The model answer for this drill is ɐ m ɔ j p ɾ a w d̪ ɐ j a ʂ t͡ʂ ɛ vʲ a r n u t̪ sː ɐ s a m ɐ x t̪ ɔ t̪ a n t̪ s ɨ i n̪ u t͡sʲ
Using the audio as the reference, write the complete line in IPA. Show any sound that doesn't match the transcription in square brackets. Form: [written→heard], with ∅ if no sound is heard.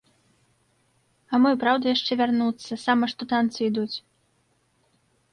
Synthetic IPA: ɐ m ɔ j p ɾ a w d̪ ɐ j a ʂ t͡ʂ ɛ vʲ a r n u t̪ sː ɐ s a m ɐ [x→ʂ] t̪ ɔ t̪ a n t̪ s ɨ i [n̪→d̪] u t͡sʲ